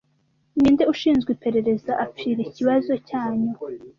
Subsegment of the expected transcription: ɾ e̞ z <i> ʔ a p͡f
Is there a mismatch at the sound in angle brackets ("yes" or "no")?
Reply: yes